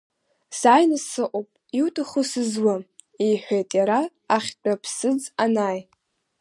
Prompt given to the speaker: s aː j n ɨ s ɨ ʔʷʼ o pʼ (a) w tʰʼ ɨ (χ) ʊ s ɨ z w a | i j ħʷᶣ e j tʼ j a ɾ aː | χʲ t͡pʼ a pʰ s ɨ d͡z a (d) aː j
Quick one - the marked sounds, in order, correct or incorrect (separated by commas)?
incorrect, correct, incorrect